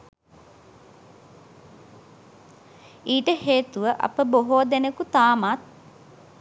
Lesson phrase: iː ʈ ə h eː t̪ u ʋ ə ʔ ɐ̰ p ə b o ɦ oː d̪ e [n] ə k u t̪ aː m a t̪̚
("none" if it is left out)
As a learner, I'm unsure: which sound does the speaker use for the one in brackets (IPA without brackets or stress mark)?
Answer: n